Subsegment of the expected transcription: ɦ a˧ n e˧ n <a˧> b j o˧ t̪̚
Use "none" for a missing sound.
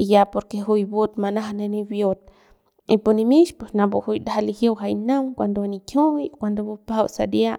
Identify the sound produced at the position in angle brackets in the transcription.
i˧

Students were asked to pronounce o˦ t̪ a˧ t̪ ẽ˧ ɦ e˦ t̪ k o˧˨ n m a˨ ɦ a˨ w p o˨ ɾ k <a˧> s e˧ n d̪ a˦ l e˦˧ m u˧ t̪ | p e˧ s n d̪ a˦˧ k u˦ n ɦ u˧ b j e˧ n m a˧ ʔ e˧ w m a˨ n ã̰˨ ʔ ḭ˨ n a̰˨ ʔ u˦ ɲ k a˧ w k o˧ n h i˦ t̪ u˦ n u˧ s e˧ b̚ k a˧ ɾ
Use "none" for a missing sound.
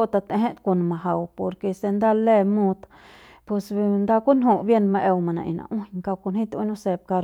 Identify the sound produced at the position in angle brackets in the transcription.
e˧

